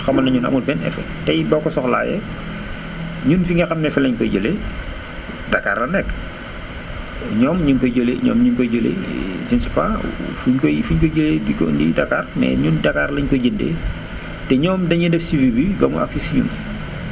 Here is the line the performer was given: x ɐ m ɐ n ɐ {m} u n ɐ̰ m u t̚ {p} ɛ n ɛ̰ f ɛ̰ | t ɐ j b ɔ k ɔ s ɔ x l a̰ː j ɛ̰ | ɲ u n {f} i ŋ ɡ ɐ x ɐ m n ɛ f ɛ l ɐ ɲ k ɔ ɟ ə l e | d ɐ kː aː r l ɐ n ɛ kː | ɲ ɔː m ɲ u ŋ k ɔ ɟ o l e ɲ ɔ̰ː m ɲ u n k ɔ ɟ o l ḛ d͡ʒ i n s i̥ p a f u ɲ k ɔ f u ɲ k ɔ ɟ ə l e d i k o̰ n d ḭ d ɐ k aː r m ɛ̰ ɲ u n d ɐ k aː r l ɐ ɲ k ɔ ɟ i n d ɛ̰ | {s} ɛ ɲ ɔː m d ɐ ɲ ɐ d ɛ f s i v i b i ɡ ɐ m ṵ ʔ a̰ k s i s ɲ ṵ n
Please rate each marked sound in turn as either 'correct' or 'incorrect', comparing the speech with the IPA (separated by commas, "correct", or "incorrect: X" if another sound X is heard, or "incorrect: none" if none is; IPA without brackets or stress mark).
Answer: incorrect: ɲ, incorrect: b, correct, incorrect: t